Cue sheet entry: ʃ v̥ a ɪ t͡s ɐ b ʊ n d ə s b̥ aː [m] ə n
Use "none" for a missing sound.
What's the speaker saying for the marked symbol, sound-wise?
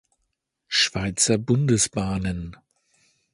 n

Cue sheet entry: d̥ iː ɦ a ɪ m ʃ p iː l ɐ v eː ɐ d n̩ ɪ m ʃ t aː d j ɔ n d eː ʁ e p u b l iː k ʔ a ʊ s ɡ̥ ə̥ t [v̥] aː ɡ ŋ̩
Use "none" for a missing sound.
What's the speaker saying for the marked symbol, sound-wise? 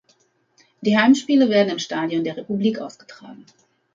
ʁ̥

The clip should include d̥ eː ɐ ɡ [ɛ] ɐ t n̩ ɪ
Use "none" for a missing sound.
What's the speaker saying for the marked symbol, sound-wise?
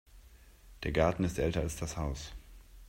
a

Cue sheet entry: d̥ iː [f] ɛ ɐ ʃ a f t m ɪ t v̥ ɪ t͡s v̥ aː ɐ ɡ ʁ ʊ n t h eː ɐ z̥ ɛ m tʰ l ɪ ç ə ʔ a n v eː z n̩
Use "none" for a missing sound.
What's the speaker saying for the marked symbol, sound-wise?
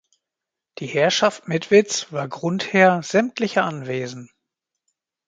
h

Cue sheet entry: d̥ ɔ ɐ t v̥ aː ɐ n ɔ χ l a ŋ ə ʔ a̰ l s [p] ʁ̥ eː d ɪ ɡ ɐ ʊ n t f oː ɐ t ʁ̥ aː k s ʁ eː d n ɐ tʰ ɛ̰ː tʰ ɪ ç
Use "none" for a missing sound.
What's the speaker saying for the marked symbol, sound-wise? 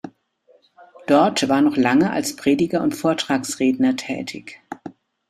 p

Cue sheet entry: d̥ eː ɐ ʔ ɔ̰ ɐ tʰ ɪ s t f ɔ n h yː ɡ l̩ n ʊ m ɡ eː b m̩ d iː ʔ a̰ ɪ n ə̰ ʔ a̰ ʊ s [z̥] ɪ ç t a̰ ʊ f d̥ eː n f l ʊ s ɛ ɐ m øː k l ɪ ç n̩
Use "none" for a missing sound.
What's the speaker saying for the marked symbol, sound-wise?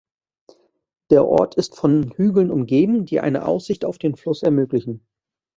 z̥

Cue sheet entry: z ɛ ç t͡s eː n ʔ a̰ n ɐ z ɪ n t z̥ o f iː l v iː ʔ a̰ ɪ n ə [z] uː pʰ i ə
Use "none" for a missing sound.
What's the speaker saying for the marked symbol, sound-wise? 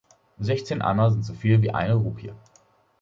ʁ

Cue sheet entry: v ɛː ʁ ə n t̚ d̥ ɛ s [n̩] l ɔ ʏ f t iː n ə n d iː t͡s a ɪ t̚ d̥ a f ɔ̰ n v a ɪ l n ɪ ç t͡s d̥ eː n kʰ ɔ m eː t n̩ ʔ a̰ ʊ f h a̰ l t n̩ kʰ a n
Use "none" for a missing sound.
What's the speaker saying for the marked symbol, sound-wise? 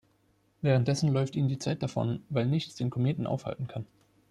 n̩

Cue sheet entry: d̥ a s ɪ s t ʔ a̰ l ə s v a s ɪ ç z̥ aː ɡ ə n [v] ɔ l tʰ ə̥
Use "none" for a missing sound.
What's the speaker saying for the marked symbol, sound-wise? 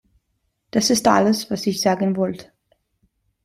v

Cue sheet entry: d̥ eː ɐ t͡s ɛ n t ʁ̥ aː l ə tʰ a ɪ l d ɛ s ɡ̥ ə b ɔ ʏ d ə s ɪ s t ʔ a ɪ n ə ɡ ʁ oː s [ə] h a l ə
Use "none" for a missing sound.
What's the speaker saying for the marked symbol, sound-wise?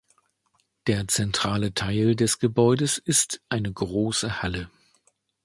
ə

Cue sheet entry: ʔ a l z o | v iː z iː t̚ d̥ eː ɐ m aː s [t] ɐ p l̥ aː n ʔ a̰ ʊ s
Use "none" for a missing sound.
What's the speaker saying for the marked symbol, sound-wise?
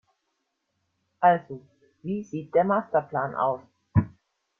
t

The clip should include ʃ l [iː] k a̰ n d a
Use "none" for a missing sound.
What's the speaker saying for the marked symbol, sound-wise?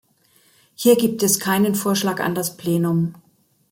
aː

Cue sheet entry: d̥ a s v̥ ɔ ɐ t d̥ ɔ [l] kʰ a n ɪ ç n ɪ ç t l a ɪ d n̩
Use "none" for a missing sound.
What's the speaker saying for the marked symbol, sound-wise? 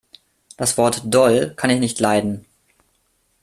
l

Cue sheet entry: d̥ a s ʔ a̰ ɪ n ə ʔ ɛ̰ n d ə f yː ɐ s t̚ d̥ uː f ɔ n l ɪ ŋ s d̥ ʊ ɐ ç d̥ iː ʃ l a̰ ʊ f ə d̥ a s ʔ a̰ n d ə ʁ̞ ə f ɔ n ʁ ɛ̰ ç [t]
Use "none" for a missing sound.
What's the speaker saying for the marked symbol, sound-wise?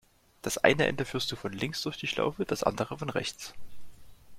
t͡s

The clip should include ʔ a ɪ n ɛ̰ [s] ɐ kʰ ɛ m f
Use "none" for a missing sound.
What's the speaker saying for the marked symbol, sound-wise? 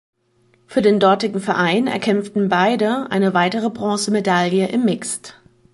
none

